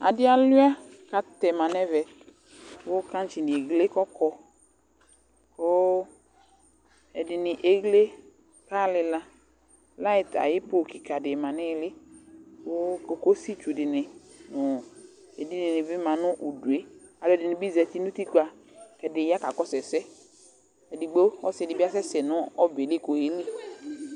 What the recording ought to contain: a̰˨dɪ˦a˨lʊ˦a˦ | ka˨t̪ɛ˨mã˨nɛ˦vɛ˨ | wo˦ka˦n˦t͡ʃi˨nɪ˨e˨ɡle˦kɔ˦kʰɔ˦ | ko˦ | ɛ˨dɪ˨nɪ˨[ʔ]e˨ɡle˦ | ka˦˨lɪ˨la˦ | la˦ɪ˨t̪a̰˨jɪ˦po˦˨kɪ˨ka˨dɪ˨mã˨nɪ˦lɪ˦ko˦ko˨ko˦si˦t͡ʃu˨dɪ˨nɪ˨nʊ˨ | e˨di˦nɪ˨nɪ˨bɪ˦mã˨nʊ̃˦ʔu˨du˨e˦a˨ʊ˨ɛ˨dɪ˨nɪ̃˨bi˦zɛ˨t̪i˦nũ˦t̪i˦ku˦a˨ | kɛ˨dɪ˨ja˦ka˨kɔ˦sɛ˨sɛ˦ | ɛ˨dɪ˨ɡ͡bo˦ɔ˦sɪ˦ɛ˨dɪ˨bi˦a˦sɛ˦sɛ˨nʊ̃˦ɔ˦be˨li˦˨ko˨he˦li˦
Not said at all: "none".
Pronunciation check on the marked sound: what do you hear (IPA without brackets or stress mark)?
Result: ʔ